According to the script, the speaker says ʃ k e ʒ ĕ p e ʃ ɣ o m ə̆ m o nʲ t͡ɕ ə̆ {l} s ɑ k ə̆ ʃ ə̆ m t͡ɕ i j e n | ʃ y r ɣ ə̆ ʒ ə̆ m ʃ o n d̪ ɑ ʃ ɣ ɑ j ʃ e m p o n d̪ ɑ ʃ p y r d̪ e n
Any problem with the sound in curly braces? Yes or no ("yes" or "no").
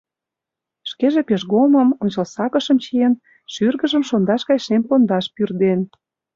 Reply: no